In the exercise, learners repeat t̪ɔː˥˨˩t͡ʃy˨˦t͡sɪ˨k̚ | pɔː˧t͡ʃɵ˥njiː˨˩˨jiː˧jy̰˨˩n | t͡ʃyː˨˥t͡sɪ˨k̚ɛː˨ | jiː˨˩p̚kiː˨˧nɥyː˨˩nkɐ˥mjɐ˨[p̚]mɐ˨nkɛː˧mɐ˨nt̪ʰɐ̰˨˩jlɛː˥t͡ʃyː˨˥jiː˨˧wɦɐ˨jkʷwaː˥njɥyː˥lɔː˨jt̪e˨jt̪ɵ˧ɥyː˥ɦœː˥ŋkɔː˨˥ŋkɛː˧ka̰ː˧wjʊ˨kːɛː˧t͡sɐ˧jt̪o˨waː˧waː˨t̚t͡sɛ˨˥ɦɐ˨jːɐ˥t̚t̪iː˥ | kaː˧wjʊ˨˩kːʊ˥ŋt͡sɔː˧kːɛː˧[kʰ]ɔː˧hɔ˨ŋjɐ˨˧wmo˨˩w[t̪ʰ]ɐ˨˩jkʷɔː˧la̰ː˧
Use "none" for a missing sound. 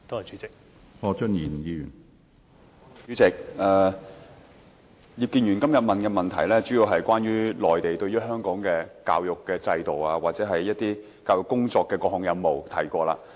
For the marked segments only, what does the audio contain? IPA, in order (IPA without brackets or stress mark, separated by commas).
t̚, k, t̪ʰ